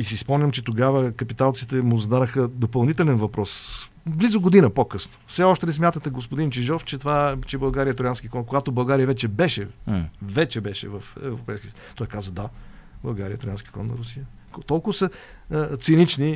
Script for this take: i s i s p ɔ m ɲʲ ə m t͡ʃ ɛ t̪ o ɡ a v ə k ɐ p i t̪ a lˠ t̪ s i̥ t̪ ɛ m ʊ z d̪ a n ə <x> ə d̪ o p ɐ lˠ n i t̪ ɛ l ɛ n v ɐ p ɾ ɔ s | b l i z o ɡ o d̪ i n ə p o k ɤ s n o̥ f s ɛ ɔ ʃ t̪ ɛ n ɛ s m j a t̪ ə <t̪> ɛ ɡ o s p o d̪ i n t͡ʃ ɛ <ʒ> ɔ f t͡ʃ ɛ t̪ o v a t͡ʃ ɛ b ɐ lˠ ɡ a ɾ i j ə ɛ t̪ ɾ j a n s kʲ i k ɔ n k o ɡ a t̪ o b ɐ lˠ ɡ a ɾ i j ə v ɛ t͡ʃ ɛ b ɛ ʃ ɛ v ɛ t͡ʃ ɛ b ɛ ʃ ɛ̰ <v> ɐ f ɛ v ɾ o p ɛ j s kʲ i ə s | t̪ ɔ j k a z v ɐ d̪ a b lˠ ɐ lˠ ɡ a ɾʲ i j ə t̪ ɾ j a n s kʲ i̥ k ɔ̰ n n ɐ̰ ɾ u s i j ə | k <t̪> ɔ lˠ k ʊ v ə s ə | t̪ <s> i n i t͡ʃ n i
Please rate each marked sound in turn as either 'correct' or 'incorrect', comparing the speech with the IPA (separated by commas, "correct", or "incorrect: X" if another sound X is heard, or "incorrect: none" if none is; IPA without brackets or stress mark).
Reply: correct, correct, correct, correct, correct, correct